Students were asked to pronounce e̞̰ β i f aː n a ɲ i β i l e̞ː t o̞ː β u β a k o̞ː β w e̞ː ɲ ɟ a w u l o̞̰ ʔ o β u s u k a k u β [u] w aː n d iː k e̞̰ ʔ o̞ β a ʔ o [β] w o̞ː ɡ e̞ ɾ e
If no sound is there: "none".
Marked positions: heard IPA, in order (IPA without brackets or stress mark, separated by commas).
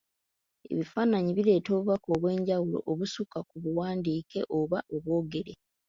u, β